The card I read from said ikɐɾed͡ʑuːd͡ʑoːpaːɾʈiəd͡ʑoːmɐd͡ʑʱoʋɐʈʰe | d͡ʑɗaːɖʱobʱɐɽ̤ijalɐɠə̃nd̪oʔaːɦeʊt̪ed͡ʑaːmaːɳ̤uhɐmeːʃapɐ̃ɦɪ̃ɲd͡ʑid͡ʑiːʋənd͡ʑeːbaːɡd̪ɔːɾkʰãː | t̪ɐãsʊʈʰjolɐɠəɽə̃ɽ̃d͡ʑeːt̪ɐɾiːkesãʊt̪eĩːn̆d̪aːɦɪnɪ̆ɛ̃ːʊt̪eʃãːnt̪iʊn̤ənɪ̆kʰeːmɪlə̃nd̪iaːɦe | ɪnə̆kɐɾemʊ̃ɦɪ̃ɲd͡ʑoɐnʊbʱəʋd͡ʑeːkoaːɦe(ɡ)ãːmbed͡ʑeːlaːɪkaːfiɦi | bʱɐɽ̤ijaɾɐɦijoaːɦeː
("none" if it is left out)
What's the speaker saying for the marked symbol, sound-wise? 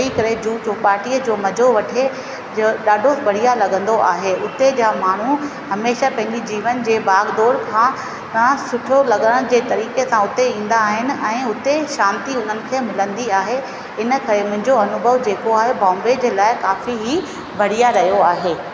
b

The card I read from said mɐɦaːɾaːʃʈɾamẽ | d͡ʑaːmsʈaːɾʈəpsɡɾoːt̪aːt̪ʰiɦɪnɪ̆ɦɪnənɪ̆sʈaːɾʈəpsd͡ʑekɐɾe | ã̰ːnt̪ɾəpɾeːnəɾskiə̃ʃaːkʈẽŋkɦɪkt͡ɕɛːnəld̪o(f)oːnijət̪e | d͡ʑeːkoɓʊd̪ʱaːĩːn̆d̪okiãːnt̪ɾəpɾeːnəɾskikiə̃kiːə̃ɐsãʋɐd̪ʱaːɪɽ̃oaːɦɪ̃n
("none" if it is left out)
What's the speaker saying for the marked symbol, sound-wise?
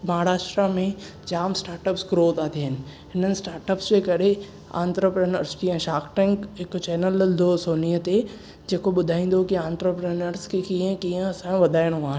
s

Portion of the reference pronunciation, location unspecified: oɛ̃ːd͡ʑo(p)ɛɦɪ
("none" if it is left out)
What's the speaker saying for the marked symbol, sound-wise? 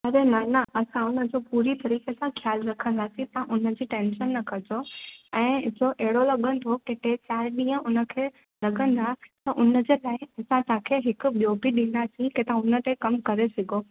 ʔ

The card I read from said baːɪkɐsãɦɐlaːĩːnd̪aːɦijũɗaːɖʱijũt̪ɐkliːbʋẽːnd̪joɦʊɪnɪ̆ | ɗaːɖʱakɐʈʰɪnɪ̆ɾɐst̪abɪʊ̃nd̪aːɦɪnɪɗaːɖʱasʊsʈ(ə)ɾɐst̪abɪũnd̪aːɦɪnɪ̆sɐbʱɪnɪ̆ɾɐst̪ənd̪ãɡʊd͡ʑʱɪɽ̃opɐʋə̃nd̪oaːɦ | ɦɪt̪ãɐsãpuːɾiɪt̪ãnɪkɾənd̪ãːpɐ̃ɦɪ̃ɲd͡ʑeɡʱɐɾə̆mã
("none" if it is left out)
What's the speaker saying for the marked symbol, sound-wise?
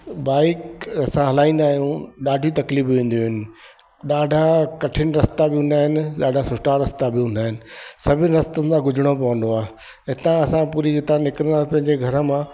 a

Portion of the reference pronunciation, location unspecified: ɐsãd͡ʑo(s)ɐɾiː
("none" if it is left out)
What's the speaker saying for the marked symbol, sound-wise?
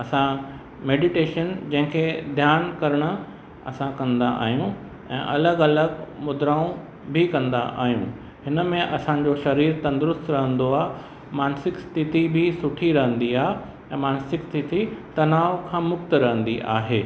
ʃ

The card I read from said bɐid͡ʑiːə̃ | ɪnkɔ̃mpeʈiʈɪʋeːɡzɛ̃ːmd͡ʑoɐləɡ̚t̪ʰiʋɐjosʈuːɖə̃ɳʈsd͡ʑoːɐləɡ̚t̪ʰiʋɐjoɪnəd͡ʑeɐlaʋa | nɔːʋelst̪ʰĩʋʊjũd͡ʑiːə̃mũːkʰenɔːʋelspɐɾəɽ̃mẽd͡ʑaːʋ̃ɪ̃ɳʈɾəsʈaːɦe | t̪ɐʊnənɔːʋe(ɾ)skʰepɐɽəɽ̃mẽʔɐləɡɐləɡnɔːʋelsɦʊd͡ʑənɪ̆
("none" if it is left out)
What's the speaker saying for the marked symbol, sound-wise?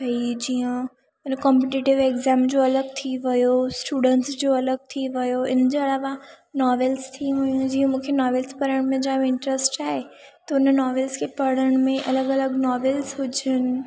l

